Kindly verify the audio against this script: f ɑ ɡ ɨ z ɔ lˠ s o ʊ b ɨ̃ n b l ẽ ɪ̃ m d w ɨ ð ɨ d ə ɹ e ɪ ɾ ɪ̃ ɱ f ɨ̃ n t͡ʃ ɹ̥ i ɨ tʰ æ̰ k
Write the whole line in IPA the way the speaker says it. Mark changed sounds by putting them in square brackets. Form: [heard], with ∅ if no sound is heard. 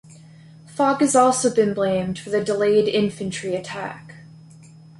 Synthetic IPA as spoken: f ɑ ɡ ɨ z ɔ lˠ s o ʊ b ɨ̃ n b l ẽ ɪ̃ m d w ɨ ð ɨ d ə [l] e ɪ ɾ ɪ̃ ɱ f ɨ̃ n t͡ʃ ɹ̥ i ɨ tʰ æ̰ k